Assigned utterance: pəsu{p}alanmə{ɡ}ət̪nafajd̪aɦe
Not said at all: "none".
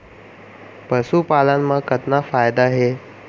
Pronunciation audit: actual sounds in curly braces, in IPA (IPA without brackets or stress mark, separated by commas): p, k